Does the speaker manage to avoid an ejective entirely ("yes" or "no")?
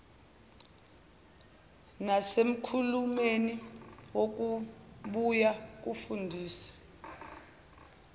yes